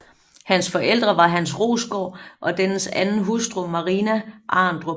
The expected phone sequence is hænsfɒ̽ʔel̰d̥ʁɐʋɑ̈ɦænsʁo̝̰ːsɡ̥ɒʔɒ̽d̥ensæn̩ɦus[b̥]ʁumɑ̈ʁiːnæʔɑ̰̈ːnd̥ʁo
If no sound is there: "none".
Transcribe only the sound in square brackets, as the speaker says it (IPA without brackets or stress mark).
d̥